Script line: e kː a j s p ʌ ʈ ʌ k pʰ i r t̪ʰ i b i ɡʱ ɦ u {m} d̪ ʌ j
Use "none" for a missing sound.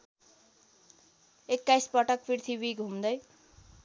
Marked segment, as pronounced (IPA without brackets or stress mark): m